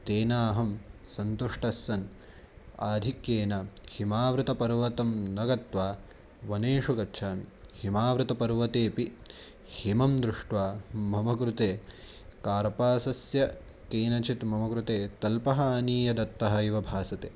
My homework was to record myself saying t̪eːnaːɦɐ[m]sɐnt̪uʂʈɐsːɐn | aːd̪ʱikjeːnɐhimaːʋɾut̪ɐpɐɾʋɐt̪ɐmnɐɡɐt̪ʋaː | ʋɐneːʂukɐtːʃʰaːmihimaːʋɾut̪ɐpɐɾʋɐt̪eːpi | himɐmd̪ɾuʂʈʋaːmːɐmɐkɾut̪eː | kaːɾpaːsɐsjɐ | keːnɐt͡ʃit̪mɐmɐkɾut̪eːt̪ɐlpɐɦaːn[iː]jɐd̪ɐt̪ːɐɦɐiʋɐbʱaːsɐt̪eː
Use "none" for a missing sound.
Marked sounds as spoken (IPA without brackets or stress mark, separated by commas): m, iː